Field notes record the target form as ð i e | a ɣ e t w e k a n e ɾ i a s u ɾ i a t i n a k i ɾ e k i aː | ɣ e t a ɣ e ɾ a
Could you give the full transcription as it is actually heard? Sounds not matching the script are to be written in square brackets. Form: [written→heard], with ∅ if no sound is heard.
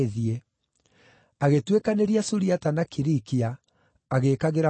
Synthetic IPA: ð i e | a ɣ e t w e k a n e ɾ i a s u ɾ i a t [i→a] n a k i ɾ [e→i] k i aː | ɣ e [t→k] a ɣ e ɾ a